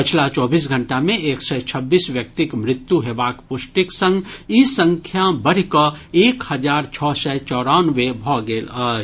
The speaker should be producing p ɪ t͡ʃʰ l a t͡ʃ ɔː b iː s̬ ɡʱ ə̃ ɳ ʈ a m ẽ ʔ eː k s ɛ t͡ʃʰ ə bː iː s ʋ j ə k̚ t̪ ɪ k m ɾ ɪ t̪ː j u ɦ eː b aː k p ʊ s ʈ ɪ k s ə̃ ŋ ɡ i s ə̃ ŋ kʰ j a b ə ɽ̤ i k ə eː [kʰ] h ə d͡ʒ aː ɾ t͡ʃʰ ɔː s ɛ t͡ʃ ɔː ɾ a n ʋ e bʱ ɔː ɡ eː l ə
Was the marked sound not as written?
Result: yes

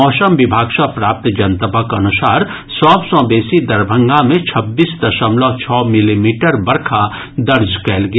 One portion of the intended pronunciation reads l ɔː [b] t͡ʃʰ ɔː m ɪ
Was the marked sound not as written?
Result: yes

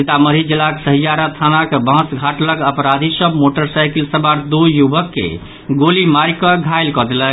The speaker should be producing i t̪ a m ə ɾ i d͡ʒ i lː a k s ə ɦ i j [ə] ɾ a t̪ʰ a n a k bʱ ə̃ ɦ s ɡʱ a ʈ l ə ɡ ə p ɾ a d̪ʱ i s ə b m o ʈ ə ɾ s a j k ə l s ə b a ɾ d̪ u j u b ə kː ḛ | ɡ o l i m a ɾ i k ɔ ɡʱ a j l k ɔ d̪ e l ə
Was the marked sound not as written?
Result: yes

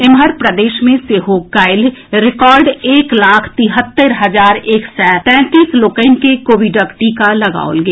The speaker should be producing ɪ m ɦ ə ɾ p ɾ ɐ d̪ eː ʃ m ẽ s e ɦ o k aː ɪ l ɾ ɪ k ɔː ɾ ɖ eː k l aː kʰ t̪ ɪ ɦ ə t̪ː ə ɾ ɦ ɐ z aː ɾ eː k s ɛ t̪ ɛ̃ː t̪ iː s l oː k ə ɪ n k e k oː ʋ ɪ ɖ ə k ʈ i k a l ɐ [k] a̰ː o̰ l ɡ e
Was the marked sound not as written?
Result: yes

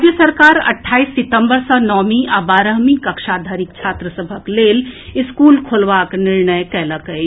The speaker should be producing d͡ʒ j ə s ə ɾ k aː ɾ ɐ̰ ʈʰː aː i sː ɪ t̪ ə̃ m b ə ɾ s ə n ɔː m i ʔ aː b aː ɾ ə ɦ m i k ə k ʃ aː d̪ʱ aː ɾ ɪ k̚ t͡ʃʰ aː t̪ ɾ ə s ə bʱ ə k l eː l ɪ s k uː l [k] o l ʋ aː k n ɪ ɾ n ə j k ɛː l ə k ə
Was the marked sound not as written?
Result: yes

